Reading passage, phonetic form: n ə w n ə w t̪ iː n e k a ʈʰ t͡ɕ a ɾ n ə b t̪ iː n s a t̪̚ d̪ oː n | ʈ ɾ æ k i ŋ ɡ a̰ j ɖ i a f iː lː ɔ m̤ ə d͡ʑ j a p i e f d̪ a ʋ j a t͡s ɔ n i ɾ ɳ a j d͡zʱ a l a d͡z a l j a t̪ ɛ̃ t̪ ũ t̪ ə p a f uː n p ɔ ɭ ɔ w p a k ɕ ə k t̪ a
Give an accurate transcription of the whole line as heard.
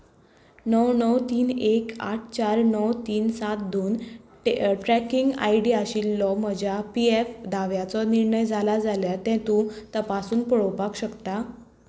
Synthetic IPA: n ə w n ə w t̪ iː n e k a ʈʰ t͡ɕ a ɾ n ə w t̪ iː n s a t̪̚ d̪ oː n | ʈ ɾ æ k i ŋ ɡ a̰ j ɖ i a ɕ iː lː ɔ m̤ ə d͡ʑ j a p i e f d̪ a ʋ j a t͡s ɔ n i ɾ ɳ ə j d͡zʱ a l a d͡z a l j a t̪ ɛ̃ t̪ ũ t̪ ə p a s uː n p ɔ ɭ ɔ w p a k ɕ ə k t̪ a